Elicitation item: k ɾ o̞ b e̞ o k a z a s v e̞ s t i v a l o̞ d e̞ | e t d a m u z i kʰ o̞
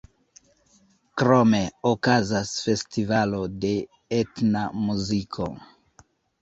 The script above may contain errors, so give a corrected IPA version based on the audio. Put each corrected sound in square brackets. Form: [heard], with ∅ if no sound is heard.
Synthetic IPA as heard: k ɾ o̞ [m] e̞ o k a z a s [f] e̞ s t i v a l o̞ d e̞ | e t [n] a m u z i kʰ o̞